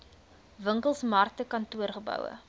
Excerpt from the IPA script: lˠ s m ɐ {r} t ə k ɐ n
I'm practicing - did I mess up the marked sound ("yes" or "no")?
no